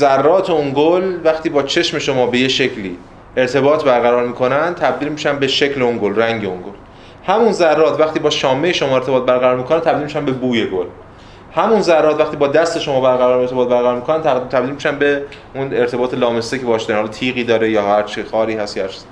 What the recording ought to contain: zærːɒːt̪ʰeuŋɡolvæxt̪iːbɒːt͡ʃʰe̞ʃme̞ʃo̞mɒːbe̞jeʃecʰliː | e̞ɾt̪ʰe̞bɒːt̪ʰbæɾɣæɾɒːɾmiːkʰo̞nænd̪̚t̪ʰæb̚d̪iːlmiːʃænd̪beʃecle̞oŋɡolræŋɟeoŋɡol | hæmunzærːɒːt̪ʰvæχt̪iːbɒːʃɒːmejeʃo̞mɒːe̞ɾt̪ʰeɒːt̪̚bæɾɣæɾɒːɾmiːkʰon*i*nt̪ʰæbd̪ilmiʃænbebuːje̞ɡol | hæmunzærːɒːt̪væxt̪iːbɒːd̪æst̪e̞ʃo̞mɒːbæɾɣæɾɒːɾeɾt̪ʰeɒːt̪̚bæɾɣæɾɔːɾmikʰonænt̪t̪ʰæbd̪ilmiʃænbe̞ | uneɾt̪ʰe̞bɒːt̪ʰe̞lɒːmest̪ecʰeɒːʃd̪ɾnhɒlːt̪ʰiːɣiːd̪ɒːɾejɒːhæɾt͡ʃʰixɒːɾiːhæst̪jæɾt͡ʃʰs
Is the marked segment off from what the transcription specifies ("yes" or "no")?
yes